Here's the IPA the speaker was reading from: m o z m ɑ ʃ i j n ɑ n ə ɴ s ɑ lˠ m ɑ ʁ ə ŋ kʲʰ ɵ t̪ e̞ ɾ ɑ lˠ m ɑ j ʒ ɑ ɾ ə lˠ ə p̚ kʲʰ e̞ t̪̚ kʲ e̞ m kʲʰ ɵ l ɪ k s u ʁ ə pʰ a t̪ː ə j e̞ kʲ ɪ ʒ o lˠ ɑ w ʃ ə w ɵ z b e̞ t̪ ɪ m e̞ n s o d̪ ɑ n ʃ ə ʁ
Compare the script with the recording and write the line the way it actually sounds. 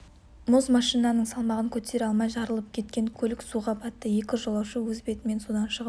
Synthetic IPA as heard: m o z m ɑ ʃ i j n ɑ n ə ɴ s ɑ lˠ m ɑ ʁ ə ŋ kʲʰ ɵ t̪ e̞ ɾ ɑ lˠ m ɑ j ʒ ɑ ɾ ə lˠ ə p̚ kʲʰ e̞ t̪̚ kʲ e̞ ŋ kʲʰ ɵ l ɪ k s u ʁ ɑ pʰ ɑ t̪ː ə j e̞ kʲ ɪ ʒ o lˠ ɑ w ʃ ə w ɵ z b e̞ t̪ ɪ m e̞ n s o d̪ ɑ n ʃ ə ʁ